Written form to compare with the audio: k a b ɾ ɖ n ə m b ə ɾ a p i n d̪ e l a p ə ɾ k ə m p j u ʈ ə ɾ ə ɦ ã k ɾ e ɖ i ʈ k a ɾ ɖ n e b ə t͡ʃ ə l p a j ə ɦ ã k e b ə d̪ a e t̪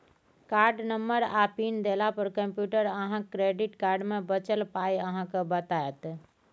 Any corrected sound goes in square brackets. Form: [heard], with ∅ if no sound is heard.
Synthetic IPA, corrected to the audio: k a [∅] ɾ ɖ n ə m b ə ɾ a p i n d̪ e l a p ə ɾ k ə m p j u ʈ ə ɾ ə ɦ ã k ɾ e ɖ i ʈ k a ɾ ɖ [m] e b ə t͡ʃ ə l p a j ə ɦ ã k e b ə [t̪] a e t̪